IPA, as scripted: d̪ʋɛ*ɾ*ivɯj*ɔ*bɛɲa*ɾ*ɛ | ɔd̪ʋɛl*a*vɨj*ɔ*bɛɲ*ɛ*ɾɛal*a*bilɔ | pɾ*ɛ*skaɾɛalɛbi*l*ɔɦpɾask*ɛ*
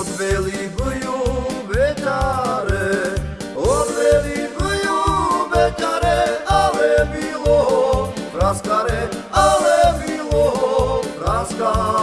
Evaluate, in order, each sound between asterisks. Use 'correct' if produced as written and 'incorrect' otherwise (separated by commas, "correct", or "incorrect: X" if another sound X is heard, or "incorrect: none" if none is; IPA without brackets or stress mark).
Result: incorrect: l, incorrect: u, correct, incorrect: i, incorrect: u, incorrect: a, incorrect: ɛ, incorrect: a, correct, incorrect: a